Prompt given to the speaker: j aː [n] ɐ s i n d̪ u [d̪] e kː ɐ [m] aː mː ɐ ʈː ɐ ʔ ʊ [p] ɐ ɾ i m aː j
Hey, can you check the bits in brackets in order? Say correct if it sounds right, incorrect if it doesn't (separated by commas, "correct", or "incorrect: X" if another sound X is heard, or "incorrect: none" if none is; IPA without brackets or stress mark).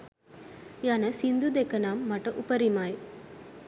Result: correct, correct, incorrect: n, correct